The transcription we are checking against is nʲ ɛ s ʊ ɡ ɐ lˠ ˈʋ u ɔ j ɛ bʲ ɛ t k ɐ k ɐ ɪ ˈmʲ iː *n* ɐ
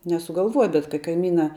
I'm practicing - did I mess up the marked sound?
no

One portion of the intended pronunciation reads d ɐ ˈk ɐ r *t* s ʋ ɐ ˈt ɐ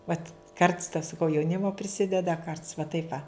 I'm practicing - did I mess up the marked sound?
no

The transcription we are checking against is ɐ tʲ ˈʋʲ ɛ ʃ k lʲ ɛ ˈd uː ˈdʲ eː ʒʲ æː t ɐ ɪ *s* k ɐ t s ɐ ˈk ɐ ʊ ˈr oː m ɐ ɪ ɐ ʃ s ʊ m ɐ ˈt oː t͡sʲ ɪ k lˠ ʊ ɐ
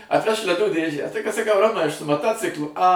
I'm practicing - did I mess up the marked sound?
yes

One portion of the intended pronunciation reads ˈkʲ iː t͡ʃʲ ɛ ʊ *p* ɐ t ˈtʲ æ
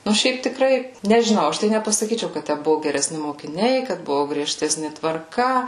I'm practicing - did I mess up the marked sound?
yes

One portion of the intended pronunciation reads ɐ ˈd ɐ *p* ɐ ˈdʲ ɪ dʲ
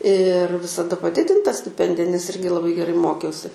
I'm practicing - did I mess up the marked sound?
no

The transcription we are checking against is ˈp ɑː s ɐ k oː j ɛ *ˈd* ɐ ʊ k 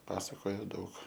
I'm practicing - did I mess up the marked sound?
no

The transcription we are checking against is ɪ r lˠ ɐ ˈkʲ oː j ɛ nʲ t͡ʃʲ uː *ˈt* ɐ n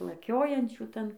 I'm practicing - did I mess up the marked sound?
no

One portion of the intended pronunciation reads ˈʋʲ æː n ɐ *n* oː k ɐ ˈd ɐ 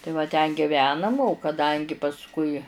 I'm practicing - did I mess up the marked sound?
yes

